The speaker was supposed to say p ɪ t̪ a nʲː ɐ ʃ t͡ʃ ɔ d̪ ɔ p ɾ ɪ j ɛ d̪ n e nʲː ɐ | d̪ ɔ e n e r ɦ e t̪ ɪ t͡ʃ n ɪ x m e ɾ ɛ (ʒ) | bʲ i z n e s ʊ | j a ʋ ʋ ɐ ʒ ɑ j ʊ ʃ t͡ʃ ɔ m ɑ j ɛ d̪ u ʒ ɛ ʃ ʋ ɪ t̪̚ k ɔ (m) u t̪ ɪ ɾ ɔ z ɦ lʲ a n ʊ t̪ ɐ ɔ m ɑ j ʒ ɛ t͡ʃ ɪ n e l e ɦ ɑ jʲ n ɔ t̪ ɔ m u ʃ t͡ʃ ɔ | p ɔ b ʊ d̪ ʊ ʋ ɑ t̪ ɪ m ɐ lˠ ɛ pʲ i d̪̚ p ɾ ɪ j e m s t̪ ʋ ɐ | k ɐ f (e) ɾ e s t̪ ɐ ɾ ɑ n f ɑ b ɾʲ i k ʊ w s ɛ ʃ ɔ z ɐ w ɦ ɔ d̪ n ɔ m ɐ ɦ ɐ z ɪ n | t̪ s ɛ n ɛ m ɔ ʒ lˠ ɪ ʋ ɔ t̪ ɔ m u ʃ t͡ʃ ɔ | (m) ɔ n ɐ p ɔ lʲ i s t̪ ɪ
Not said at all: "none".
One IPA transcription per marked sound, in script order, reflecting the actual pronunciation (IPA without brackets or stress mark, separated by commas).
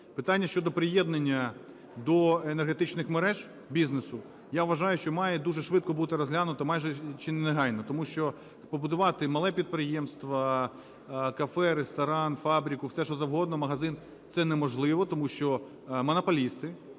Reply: ʒ, b, ɛ, m